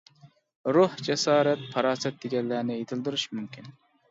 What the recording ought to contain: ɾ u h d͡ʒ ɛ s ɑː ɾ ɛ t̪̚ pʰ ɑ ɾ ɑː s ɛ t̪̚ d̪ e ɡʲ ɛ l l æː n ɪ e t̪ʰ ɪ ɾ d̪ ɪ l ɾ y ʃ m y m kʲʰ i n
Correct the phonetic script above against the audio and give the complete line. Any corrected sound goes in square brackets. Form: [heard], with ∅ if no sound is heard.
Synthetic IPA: ɾ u h d͡ʒ ɛ s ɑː ɾ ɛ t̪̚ pʰ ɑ ɾ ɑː s ɛ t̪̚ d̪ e ɡʲ ɛ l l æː n ɪ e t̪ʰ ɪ [l] d̪ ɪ [∅] ɾ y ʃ m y m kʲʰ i n